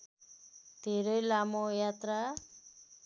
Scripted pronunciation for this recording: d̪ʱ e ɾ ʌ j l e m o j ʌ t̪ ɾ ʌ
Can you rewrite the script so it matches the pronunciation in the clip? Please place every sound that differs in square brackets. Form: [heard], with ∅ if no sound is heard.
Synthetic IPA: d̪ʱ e ɾ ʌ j l [a] m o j [a] t̪ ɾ [a]